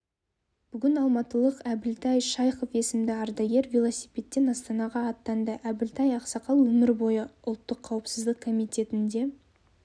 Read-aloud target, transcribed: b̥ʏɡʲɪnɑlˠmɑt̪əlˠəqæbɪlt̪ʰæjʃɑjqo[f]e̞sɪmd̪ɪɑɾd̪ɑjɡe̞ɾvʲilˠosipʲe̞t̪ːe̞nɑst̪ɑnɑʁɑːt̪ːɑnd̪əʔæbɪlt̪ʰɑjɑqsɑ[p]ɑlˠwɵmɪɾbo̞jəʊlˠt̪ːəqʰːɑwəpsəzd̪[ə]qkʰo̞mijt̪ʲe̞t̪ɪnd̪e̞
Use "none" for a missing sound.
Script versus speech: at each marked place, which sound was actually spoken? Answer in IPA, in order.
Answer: f, q, ə

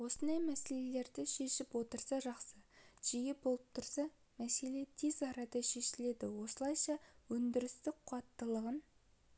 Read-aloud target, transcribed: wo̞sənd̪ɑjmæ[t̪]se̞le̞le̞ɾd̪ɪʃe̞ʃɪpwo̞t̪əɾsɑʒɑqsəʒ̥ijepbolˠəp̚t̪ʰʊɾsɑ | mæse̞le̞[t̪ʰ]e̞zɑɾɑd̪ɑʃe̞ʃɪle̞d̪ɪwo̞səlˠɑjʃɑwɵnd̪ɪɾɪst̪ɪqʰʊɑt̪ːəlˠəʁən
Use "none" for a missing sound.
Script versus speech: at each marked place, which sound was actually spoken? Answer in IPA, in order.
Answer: none, t̪ʰ

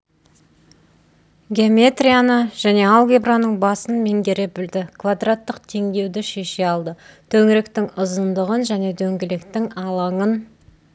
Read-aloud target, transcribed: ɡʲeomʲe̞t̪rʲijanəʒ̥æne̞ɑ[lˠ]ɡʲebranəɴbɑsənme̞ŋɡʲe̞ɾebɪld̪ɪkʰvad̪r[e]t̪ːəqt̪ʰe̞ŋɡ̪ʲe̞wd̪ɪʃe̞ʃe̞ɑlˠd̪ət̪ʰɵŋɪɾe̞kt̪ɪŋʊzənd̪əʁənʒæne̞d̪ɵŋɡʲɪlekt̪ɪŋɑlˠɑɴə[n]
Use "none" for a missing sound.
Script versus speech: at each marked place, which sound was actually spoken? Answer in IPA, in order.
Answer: lˠ, a, n

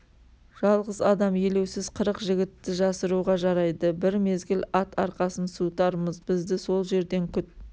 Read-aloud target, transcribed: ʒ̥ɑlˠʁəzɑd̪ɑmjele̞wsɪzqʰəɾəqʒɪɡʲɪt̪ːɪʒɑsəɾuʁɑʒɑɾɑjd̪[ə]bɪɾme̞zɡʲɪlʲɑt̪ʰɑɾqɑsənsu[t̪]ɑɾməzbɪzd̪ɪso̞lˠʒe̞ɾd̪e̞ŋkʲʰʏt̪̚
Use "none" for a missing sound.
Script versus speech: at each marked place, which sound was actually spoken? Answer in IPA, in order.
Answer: ə, t̪

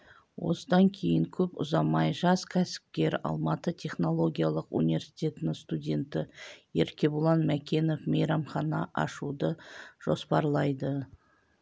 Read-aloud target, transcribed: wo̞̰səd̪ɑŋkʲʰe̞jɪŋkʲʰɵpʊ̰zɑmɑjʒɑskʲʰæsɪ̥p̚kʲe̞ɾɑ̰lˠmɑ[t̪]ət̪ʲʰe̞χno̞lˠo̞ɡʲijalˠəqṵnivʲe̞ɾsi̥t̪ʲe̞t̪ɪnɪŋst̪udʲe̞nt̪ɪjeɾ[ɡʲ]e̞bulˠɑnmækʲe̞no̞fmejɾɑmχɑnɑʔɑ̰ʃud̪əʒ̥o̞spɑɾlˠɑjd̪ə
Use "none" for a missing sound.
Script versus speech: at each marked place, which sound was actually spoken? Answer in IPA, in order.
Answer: t̪, kʲ

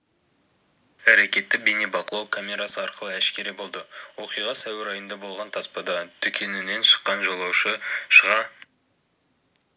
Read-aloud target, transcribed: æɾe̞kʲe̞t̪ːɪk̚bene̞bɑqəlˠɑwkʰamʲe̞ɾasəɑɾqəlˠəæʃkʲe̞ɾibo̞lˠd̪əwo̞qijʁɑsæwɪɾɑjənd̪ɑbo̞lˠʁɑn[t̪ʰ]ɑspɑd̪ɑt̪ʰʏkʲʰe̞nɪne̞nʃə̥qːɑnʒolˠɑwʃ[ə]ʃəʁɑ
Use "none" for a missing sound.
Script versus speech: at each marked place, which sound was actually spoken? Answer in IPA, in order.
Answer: t̪ʰ, ə

